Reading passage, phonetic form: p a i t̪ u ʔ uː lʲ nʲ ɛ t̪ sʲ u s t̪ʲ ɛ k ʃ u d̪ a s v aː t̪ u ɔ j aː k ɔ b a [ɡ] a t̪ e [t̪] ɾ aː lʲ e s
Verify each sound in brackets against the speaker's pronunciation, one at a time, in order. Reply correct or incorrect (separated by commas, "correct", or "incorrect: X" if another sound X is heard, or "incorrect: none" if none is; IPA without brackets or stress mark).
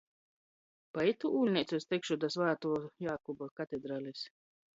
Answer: incorrect: k, incorrect: d̪